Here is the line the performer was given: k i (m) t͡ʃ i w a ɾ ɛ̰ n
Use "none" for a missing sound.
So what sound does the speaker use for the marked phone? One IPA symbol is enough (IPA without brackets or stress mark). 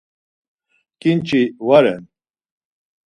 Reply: n